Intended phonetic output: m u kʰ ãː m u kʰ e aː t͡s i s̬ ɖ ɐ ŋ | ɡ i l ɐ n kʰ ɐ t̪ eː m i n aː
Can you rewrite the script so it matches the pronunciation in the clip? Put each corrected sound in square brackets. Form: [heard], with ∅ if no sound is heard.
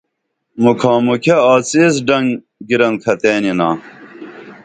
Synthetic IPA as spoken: m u kʰ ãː m u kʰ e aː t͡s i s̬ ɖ ɐ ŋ | ɡ i [ɾ] ɐ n kʰ ɐ t̪ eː [n] i n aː